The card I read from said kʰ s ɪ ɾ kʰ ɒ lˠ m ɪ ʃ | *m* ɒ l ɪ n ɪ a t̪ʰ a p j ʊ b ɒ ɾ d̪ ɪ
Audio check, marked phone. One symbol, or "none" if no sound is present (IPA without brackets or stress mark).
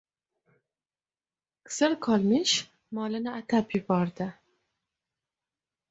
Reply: m